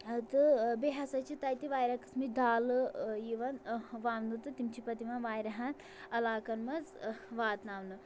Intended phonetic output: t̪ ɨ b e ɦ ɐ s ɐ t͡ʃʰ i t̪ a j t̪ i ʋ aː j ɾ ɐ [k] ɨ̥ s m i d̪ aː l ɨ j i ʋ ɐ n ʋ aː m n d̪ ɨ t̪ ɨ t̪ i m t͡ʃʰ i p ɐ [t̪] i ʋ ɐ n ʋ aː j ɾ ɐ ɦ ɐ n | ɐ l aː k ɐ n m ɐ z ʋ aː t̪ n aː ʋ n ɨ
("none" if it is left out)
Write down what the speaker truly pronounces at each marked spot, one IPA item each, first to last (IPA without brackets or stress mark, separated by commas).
k, t̪